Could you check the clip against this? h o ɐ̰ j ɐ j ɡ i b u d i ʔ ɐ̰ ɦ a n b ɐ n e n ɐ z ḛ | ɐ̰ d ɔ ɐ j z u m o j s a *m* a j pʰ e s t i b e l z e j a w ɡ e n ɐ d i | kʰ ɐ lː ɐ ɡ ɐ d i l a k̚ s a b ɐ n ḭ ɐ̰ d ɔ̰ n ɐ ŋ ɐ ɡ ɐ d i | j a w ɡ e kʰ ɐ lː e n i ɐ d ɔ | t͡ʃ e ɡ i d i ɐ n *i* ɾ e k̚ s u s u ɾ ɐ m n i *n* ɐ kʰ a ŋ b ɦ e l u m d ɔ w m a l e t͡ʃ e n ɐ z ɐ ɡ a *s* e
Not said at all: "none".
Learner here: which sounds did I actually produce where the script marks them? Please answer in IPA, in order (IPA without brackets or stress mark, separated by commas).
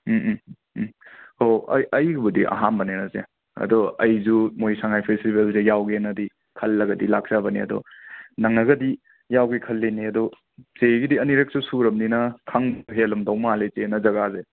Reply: ŋ, i, n, z